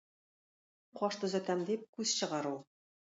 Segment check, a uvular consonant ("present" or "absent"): present